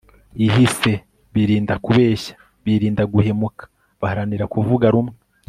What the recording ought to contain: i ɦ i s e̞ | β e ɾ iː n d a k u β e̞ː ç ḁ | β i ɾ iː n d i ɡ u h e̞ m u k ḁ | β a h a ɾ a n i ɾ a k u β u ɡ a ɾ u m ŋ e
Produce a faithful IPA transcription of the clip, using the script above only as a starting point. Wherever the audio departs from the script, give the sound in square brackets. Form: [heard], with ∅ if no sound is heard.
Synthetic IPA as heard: i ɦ i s e̞ | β [i] ɾ iː n d a k u β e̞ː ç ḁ | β i ɾ iː n d [a] ɡ u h e̞ m u k ḁ | β a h a ɾ a n i ɾ a k u [v] u ɡ a ɾ u m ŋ e